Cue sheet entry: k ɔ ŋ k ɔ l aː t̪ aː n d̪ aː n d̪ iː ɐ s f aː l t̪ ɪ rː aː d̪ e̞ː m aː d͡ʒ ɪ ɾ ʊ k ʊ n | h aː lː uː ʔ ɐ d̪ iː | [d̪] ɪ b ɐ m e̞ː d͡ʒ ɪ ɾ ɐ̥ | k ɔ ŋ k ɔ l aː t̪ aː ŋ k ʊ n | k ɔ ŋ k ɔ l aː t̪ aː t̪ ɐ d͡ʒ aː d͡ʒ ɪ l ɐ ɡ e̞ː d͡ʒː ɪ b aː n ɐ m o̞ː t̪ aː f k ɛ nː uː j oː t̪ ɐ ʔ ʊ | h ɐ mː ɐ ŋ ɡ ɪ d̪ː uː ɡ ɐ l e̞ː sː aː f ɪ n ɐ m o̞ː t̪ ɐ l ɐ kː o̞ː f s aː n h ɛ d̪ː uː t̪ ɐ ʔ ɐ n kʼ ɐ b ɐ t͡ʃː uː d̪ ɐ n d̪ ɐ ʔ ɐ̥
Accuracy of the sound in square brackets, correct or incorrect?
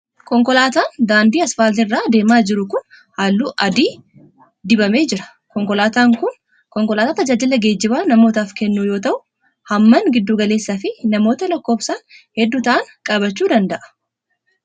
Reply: correct